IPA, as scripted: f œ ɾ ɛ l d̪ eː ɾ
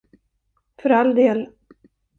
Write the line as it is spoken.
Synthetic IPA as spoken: f œ ɾ a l d̪ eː l